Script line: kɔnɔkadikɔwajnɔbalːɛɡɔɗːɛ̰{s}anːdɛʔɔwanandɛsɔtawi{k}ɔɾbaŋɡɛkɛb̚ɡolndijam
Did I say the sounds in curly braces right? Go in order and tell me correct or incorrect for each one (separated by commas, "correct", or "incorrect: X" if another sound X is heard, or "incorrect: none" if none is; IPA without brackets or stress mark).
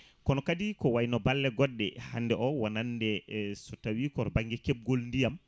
incorrect: h, correct